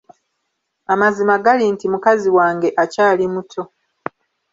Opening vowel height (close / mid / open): open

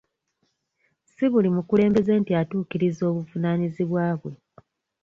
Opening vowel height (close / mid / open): close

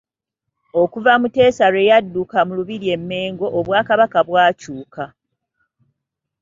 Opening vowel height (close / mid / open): mid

